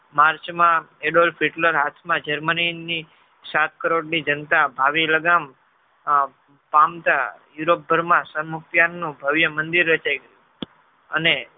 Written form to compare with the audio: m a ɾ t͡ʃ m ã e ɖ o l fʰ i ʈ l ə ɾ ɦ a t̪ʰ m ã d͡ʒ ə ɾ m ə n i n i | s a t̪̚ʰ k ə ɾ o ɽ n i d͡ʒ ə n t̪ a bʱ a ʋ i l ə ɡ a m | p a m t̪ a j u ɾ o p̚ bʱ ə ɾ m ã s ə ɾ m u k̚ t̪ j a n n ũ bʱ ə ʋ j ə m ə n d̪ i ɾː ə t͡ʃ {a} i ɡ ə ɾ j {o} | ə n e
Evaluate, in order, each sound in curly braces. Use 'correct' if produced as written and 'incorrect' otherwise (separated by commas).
correct, incorrect